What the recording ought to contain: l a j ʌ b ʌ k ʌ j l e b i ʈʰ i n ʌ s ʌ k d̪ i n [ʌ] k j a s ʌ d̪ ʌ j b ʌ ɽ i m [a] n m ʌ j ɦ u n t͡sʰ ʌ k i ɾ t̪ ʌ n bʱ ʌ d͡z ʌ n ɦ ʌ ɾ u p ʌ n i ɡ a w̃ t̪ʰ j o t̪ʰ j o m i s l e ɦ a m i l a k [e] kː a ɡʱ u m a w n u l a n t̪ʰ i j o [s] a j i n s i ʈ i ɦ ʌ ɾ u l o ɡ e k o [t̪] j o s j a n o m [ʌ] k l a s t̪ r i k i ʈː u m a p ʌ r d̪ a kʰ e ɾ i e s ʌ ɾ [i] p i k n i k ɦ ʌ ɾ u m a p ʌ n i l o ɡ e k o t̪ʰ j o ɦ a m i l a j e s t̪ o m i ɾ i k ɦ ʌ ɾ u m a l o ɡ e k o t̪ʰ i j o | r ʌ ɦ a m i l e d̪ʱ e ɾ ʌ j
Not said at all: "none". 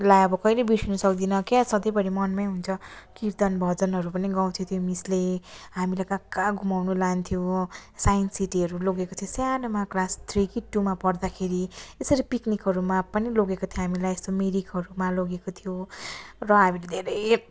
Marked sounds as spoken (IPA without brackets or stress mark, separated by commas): ʌ, ʌ, a, s, t̪ʰ, a, i